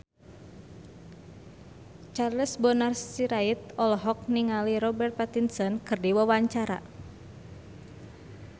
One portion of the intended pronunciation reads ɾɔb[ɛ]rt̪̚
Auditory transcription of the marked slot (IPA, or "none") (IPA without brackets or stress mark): ɛ